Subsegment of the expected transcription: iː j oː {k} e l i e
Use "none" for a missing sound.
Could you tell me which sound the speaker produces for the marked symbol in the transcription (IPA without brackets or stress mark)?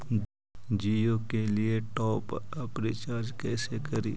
k